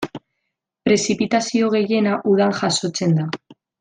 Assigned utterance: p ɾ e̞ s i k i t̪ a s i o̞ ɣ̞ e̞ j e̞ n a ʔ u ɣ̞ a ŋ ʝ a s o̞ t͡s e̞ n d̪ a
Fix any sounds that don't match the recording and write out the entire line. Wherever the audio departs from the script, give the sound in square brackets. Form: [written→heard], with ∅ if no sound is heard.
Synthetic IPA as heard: p ɾ e̞ s i [k→p] i t̪ a s i o̞ ɣ̞ e̞ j e̞ n a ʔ u [ɣ̞→ð̞] a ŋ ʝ a s o̞ t͡s e̞ n d̪ a